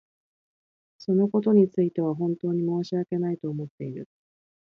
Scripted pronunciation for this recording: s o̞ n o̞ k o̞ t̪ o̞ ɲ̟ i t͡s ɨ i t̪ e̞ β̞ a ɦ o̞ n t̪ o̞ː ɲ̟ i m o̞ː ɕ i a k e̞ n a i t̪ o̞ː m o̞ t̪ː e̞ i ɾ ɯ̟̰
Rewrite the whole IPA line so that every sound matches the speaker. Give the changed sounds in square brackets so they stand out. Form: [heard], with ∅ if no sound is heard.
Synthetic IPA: s o̞ n o̞ k o̞ t̪ o̞ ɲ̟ i t͡s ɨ i t̪ e̞ β̞ a ɦ [õ̞] n t̪ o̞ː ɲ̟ i m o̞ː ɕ i a k e̞ n a i t̪ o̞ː m o̞ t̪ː e̞ i ɾ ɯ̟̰